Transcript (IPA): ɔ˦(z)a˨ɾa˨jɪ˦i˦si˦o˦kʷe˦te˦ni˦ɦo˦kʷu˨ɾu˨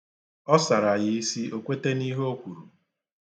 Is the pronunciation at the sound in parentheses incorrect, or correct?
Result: incorrect